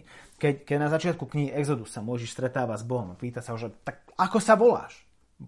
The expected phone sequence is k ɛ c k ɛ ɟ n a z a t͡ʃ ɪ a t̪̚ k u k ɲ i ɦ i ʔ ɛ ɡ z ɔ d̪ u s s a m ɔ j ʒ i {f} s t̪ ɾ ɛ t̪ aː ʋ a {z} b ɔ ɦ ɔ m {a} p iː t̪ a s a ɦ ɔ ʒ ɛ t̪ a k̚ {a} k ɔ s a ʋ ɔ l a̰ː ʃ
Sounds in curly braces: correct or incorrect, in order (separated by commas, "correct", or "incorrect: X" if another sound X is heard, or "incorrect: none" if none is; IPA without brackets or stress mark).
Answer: incorrect: ʃ, correct, correct, correct